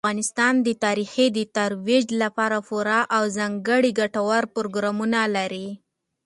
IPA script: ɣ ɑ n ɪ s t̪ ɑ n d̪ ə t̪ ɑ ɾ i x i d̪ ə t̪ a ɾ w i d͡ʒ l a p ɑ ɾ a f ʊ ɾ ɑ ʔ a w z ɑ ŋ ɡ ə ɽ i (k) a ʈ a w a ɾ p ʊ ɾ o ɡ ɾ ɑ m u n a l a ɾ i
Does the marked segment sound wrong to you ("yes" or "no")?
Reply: yes